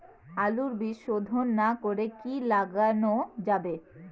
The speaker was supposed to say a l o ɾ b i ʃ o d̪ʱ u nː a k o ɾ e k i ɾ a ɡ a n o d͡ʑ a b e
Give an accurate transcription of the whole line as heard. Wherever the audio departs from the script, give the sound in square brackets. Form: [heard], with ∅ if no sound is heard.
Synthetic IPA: a l [u] ɾ b i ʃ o d̪ʱ [o] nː a k o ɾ e k i [l] a ɡ a n o d͡ʑ a b e